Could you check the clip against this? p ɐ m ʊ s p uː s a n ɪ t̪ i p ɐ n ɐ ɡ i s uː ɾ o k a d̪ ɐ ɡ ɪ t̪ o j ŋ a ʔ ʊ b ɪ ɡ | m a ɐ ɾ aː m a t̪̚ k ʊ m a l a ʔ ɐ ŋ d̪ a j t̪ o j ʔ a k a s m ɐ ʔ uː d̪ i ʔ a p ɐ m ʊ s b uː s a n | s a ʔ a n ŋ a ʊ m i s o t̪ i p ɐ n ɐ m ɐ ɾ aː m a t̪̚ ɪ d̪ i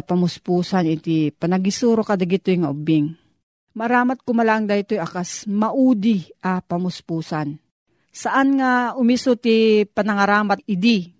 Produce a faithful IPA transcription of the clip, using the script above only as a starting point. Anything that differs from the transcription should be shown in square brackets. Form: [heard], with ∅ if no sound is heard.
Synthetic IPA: p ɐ m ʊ s p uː s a n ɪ t̪ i p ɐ n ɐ ɡ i s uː ɾ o k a d̪ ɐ ɡ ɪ t̪ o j ŋ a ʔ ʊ b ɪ [ŋ] | m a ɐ ɾ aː m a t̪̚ k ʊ m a l a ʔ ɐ ŋ d̪ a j t̪ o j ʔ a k a s m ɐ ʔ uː d̪ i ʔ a p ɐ m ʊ s [p] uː s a n | s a ʔ a n ŋ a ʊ m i s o t̪ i p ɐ n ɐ [ŋ] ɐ ɾ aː m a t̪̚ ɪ d̪ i